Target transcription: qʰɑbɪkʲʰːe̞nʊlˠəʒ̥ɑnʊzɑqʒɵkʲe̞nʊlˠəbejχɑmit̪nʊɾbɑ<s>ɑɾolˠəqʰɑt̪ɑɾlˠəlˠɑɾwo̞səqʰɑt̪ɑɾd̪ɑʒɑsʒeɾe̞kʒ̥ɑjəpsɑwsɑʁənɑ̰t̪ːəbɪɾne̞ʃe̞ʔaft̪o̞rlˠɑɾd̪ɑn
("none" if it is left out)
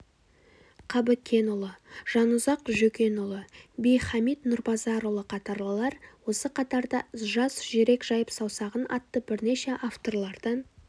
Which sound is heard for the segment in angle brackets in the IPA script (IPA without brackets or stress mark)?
z